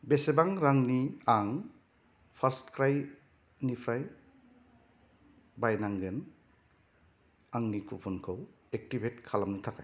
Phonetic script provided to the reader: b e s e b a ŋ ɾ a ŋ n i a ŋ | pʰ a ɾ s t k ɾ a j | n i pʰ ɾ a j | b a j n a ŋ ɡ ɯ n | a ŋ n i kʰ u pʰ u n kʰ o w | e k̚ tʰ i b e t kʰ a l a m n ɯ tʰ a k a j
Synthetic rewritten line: b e s e b a ŋ ɾ a ŋ n i a ŋ | pʰ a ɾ s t k ɾ a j | n i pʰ ɾ a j | b a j n a ŋ ɡ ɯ n | a ŋ n i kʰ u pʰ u n kʰ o w | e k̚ t i b e t kʰ a l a m n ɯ tʰ a k a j